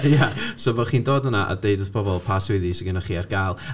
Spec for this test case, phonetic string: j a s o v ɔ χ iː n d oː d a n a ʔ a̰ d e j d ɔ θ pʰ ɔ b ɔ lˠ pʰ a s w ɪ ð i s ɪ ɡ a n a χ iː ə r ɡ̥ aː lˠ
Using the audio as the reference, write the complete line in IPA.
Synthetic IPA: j a s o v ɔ χ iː n d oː d ə n a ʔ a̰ d e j d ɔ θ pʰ ɔ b ɔ lˠ pʰ a s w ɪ ð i s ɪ ɡ ə n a χ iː a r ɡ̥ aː lˠ